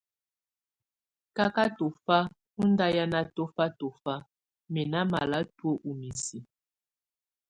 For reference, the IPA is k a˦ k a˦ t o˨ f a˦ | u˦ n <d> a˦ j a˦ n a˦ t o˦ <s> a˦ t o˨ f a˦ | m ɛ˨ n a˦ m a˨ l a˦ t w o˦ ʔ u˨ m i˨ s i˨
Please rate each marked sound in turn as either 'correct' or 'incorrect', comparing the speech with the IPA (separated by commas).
correct, incorrect